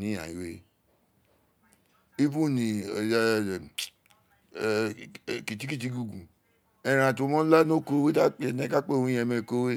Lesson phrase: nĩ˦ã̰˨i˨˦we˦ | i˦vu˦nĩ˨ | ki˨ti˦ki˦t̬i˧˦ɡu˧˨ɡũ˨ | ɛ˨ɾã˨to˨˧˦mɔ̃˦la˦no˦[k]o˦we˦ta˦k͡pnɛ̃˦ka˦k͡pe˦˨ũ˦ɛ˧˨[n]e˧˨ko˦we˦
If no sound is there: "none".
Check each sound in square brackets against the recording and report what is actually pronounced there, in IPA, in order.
k, m

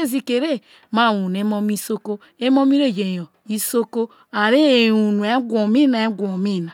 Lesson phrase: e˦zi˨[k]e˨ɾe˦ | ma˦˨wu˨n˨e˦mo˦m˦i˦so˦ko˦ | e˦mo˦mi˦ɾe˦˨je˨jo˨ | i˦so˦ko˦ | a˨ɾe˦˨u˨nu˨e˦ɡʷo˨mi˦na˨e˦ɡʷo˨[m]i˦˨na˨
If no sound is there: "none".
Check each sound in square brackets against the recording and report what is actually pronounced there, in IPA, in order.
k, m

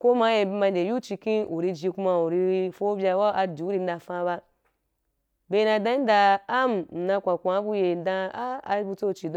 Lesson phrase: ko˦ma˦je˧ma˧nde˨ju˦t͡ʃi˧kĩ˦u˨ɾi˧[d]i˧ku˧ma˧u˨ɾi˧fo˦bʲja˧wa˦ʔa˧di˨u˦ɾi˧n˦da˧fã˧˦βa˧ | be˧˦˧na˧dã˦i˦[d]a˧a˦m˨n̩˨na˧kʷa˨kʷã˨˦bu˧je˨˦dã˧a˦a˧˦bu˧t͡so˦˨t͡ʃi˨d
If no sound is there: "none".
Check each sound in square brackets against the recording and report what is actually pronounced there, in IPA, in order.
d͡ʒ, d

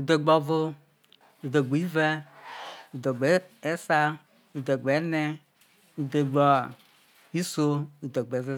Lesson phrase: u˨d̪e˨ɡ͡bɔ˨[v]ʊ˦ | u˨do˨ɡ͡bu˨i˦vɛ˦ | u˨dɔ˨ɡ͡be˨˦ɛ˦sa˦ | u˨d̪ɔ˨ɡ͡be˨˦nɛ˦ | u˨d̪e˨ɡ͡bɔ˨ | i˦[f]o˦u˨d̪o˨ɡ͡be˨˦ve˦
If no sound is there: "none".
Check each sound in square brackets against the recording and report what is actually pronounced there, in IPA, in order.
v, s

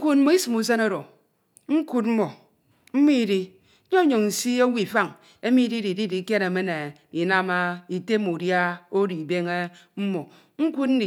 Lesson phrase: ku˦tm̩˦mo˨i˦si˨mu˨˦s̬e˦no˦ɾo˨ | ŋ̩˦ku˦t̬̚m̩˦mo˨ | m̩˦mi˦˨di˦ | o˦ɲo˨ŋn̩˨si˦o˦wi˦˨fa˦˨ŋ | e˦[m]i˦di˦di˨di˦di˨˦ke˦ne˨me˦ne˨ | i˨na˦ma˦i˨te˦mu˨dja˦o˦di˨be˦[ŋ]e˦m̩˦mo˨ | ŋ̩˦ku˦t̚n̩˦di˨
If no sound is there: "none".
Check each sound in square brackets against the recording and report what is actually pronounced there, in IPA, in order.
m, ŋ

